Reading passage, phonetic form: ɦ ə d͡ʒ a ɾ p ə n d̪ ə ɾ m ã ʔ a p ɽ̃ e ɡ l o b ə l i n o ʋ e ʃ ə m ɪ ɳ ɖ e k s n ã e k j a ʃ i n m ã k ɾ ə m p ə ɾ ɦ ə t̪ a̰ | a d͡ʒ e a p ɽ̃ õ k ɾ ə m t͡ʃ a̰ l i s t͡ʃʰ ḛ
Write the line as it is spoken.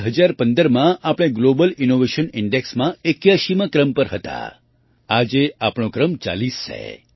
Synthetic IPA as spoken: ɦ ə d͡ʒ a ɾ p ə n d̪ ə ɾ m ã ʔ a p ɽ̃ e ɡ l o b ə l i n o ʋ e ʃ ə n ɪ ɳ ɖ e k s m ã e k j a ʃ i m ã k ɾ ə m p ə ɾ ɦ ə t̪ a̰ | a d͡ʒ e a p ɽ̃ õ k ɾ ə m t͡ʃ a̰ l i s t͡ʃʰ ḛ